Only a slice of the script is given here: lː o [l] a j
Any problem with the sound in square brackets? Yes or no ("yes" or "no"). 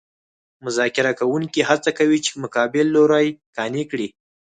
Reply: yes